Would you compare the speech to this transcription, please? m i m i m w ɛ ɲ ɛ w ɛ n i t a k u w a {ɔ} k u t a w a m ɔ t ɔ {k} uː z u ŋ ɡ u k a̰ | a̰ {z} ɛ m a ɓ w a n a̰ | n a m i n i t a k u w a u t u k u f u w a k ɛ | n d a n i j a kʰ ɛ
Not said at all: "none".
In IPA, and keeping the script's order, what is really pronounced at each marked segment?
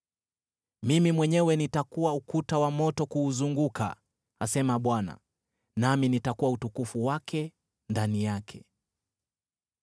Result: u, k, s

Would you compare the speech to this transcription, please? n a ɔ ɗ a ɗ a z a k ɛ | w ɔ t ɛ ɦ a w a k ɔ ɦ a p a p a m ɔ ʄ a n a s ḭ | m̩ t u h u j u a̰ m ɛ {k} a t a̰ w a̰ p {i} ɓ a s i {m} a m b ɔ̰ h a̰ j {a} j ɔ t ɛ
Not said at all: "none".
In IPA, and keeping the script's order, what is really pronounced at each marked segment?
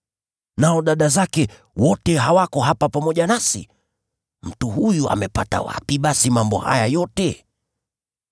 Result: p, i, m, a

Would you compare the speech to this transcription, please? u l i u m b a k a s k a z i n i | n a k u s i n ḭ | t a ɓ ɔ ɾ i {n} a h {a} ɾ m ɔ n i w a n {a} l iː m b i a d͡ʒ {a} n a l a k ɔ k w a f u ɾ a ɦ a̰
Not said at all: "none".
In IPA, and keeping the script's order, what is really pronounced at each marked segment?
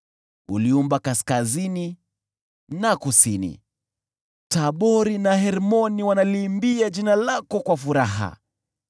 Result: n, ɛ, a, i

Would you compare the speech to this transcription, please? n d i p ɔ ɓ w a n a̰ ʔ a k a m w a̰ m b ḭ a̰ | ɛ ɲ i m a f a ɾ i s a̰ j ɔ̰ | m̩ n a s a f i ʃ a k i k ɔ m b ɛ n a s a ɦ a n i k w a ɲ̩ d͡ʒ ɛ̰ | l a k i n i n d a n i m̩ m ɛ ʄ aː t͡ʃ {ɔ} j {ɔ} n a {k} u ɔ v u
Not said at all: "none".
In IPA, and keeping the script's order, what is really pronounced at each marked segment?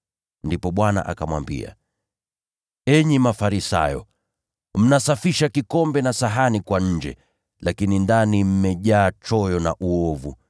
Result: ɔ, ɔ, ʔ

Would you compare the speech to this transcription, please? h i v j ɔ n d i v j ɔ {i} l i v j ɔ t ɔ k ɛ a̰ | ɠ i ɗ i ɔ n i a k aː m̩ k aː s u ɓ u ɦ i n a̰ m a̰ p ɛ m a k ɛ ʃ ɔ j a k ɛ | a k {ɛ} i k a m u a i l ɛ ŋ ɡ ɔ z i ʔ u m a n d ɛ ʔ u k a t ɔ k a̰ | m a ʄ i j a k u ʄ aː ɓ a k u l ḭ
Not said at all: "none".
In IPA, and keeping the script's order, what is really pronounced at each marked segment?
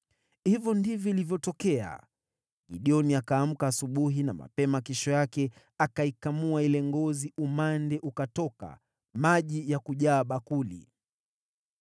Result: i, a

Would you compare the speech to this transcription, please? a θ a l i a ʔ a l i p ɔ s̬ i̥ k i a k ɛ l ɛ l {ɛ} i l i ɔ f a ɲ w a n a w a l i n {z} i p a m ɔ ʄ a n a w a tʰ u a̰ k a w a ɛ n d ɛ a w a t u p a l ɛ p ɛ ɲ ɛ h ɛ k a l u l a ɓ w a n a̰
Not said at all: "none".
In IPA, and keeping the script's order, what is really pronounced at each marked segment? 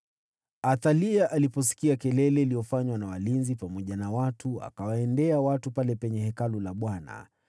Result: ɛ, z

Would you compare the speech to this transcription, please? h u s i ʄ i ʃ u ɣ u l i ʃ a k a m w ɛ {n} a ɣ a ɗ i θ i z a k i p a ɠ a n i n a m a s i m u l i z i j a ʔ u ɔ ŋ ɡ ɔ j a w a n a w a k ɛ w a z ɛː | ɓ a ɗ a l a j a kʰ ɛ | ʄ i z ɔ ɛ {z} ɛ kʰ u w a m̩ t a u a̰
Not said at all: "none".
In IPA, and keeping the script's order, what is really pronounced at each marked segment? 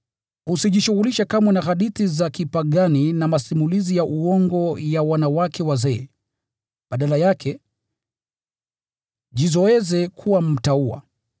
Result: n, z

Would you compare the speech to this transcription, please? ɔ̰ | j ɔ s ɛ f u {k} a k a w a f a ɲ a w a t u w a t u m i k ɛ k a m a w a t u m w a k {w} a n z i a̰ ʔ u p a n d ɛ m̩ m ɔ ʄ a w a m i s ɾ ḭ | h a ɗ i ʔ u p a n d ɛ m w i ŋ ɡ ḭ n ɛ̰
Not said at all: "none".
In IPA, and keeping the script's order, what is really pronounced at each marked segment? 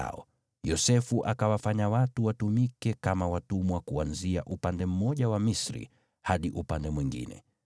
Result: ʔ, u

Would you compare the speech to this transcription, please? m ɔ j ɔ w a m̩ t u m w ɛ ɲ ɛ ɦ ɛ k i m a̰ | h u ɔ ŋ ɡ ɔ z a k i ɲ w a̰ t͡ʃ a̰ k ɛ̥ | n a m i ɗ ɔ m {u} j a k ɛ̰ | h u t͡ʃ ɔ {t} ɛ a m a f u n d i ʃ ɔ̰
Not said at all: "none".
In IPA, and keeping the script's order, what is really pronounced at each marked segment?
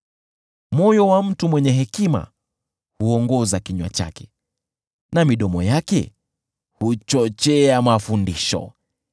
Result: ɔ, t͡ʃ

